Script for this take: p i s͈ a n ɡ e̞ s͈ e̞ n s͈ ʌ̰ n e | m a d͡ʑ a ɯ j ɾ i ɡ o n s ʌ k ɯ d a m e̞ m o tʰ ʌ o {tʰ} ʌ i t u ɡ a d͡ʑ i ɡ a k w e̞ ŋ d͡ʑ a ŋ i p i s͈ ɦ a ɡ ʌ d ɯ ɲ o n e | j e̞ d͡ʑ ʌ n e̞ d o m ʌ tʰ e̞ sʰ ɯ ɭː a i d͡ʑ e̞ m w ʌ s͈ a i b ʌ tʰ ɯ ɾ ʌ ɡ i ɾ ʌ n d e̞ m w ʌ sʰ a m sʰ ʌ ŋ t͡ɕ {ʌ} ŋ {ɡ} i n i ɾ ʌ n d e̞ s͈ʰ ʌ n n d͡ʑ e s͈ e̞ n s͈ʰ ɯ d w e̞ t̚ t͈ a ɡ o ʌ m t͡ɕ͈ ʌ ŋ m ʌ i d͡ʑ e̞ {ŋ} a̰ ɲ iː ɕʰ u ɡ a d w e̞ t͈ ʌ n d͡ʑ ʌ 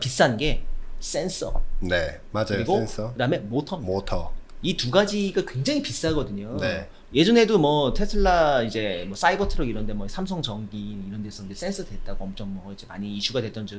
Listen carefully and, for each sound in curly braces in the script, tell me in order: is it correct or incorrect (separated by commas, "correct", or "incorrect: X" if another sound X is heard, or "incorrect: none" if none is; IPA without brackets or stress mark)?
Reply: correct, correct, correct, incorrect: m